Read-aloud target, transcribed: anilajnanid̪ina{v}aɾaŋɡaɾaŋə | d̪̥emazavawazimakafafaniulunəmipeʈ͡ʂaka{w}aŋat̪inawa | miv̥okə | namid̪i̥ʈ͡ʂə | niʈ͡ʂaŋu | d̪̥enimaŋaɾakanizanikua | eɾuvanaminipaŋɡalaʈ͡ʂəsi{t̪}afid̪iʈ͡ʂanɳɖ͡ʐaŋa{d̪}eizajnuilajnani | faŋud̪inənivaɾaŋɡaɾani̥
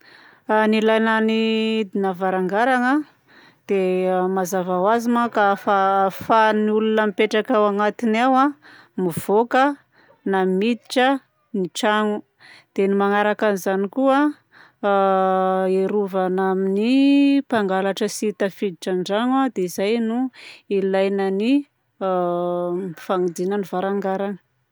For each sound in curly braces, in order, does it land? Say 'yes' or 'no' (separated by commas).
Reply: yes, yes, yes, yes